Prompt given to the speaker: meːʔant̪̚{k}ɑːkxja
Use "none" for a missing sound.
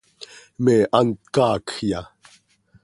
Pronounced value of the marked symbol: k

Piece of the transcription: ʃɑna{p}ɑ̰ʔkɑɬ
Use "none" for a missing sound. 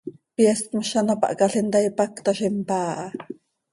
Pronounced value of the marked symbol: p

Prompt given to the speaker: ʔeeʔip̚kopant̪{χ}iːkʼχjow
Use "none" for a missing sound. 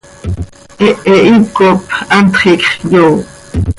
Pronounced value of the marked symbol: χ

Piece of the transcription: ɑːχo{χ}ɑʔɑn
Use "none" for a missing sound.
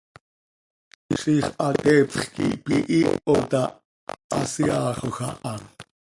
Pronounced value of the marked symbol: x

